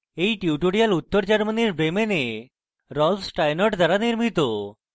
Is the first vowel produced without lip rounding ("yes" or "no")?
yes